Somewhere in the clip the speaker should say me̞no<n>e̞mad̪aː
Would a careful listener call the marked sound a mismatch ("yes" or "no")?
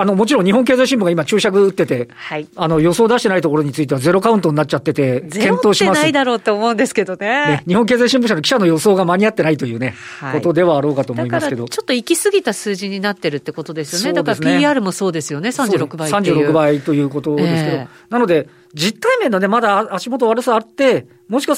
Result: no